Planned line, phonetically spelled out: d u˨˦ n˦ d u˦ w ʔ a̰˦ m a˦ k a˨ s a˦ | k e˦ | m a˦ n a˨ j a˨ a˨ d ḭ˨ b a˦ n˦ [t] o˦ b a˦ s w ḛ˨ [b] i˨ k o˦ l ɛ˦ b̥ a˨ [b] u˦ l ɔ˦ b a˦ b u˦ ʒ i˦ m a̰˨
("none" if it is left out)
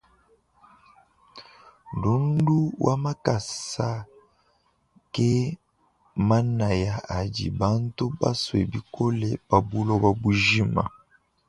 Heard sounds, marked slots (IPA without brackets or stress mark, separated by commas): t, b, b